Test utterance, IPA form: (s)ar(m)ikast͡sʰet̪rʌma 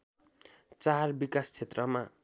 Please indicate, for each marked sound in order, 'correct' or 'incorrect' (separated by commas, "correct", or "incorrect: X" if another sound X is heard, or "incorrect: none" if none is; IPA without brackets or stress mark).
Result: incorrect: t͡s, incorrect: b